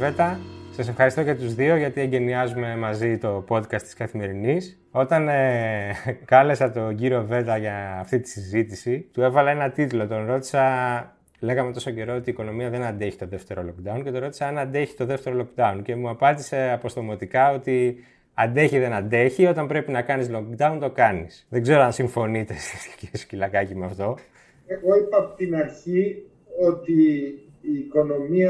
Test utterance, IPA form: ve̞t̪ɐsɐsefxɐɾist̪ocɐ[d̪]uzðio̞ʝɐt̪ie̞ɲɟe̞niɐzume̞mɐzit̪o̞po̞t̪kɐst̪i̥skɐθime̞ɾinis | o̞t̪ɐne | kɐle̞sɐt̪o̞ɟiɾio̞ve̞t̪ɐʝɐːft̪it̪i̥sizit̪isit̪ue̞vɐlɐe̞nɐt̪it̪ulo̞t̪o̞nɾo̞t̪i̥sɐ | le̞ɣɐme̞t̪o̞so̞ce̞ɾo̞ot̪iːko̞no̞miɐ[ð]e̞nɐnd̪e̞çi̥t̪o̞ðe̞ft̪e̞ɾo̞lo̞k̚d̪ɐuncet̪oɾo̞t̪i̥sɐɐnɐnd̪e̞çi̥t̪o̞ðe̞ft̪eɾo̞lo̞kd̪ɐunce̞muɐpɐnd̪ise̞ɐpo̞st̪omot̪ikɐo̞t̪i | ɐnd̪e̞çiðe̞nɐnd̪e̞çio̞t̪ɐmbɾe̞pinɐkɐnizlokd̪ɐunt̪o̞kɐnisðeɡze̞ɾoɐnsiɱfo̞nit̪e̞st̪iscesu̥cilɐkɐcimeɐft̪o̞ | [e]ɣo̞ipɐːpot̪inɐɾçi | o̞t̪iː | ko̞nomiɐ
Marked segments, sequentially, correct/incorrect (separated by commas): incorrect, correct, correct